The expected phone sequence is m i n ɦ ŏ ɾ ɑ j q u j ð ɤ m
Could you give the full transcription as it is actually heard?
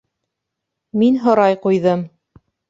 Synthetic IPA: m i n ɦ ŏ ɾ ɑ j q u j ð ɤ m